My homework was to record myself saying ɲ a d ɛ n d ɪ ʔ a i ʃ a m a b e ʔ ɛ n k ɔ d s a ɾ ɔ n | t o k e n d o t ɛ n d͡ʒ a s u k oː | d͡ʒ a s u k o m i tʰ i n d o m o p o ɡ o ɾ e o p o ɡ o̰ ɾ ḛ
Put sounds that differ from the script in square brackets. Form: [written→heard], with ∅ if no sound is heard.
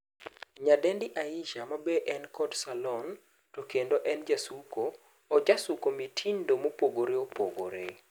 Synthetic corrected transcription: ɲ a d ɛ n d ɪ ʔ a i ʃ a m a b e ʔ ɛ n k ɔ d s a [ɾ→l] ɔ n | t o k e n d o [t→ʔ] ɛ n d͡ʒ a s u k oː | d͡ʒ a s u k o m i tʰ i n d o m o p o ɡ o ɾ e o p o ɡ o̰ ɾ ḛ